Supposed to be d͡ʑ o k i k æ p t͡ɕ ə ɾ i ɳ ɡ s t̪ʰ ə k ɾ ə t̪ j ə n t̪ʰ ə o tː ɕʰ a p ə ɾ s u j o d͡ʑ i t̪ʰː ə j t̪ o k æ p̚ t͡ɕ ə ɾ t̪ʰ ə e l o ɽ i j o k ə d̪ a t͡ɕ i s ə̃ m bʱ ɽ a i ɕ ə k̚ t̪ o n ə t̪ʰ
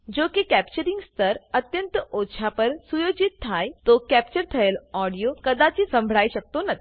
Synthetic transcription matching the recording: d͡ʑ o k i k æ p t͡ɕ ə ɾ i ŋ ɡ s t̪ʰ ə ɾ ə t̪ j ə n t̪ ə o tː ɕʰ a p ə ɾ s u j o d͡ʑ i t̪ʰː a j t̪ o k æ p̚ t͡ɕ ə ɾ t̪ʰ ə e l ɔ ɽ i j o k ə d̪ a t͡ɕ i s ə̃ m bʱ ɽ a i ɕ ə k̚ t̪ o n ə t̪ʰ